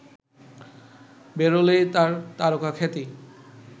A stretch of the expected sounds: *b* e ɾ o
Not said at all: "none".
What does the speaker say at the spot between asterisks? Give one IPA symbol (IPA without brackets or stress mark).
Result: b